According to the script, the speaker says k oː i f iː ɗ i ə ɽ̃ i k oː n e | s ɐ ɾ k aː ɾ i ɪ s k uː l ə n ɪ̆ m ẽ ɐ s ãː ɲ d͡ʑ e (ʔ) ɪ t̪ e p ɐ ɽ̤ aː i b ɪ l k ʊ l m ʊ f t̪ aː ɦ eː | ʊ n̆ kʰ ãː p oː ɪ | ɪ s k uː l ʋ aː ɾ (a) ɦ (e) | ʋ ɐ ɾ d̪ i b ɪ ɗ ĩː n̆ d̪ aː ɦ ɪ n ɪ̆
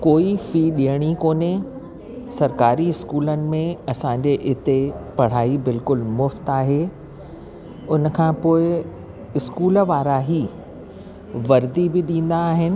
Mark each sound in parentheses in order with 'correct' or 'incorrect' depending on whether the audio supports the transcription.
correct, correct, incorrect: i

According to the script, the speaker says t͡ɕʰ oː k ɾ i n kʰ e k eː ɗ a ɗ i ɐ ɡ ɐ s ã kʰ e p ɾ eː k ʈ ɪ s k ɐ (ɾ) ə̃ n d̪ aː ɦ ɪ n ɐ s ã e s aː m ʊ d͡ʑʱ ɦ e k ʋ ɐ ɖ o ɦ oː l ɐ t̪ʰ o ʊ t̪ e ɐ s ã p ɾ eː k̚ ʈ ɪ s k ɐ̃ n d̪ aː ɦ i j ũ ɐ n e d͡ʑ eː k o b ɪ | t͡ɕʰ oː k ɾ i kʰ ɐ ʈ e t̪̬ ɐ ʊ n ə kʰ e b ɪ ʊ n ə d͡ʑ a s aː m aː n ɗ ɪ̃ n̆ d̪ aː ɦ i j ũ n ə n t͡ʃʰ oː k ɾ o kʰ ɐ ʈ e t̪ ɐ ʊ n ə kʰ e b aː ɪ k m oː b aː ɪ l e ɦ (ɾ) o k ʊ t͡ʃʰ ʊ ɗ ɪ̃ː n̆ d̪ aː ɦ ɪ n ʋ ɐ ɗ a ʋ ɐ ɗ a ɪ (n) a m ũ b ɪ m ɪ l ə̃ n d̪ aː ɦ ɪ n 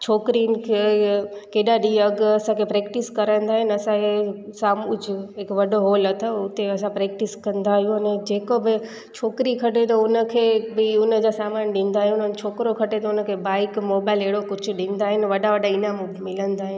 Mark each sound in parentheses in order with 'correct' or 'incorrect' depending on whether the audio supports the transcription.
correct, incorrect: ɽ, correct

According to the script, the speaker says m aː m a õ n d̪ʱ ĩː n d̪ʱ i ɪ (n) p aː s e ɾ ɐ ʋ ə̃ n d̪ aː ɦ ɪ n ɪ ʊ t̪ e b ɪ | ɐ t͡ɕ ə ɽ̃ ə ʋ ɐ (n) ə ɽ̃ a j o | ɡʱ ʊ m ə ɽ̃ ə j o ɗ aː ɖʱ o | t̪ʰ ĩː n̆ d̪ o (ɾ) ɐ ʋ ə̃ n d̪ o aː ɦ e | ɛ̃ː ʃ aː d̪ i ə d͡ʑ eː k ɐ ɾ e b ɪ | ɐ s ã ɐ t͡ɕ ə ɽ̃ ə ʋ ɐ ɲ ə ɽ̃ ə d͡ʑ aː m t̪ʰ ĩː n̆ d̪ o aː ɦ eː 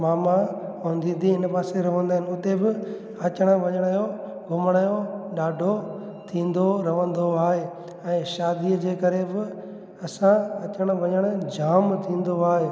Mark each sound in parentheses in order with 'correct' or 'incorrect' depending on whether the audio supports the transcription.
correct, incorrect: ɲ, correct

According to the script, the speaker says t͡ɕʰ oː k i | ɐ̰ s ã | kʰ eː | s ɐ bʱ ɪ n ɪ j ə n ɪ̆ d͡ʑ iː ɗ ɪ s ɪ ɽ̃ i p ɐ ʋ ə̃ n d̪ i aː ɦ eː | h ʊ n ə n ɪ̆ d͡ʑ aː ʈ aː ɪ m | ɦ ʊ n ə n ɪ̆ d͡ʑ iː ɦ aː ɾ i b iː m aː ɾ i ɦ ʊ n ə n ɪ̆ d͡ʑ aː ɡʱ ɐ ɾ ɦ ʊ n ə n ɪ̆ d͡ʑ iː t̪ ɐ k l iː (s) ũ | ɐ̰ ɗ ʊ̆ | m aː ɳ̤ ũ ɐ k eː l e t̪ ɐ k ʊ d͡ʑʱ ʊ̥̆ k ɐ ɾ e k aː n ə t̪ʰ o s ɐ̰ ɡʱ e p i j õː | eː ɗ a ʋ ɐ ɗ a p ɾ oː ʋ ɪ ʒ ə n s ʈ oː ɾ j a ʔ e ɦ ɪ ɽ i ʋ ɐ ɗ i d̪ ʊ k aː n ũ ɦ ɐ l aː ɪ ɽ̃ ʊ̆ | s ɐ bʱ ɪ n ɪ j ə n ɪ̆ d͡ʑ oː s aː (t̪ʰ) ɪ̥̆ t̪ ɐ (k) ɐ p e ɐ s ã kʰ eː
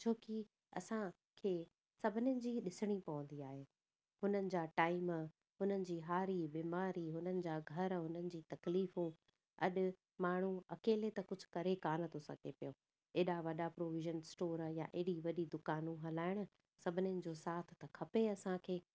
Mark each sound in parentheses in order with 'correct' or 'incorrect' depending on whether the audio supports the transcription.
incorrect: f, correct, incorrect: kʰ

